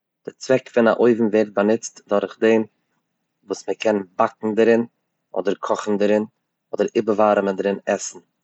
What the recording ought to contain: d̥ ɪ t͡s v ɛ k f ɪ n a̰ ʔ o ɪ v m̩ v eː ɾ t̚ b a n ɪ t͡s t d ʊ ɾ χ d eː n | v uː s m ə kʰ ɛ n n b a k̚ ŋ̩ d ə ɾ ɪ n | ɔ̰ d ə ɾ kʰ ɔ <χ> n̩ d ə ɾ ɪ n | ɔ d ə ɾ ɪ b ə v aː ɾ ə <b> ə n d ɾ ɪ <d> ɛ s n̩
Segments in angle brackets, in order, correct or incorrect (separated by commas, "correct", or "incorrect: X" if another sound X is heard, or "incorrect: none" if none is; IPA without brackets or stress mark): correct, incorrect: m, incorrect: n